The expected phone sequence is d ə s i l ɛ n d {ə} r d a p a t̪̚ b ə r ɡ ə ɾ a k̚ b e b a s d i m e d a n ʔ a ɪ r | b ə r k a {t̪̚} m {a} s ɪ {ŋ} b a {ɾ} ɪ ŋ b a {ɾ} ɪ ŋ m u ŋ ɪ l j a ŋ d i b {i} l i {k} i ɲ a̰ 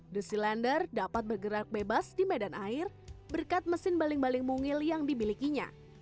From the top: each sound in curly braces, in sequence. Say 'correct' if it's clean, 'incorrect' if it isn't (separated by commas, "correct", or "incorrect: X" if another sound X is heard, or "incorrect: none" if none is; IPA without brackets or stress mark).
correct, correct, incorrect: ə, incorrect: n, incorrect: l, incorrect: l, correct, correct